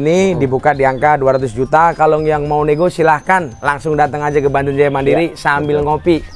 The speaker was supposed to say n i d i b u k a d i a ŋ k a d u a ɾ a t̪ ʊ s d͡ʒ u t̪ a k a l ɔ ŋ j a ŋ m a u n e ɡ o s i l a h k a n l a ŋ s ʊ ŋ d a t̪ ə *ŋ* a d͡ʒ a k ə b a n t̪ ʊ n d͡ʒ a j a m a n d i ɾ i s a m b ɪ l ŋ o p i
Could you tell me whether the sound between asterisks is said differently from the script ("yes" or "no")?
no